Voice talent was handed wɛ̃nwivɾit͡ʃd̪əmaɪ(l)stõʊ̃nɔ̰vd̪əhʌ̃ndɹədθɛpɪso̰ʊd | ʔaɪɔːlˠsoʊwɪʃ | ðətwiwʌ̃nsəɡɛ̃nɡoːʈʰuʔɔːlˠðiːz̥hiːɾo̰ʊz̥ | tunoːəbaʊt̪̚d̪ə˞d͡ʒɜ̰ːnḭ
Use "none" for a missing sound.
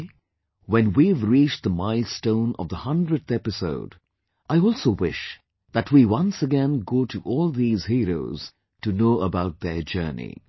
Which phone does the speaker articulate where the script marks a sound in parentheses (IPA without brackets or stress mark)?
l